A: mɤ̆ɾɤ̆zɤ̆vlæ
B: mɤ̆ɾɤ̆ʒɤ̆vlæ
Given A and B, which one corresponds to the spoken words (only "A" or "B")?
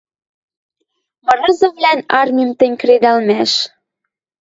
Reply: A